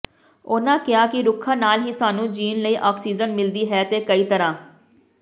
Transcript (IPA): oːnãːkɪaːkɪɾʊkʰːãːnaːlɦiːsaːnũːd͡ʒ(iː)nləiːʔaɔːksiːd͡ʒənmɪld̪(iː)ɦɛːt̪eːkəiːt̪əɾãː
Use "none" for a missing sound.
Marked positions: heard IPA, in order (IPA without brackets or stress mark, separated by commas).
iː, iː